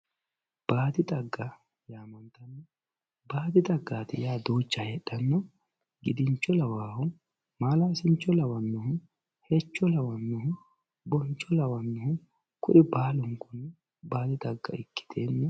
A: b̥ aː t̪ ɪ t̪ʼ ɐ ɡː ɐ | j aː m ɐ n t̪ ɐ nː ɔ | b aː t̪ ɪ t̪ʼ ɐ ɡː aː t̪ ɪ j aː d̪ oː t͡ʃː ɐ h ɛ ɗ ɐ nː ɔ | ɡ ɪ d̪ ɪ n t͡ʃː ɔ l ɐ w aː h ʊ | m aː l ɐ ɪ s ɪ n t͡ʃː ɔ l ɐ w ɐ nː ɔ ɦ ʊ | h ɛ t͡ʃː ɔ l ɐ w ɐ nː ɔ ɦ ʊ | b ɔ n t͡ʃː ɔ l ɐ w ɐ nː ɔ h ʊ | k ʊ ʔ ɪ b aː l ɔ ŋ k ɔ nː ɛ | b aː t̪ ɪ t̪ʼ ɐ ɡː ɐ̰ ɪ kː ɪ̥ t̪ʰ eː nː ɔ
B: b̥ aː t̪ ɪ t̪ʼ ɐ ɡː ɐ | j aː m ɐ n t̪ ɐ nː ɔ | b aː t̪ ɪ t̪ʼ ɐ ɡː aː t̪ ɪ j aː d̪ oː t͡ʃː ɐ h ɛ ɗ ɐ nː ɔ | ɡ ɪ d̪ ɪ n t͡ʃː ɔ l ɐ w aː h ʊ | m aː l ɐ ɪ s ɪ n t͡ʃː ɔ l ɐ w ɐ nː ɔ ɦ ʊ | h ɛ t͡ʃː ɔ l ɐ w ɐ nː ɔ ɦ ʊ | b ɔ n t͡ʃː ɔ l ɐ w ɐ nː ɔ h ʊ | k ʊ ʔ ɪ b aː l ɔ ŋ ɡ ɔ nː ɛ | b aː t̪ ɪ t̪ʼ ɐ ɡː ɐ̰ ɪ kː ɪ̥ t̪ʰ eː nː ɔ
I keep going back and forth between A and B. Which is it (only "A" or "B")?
A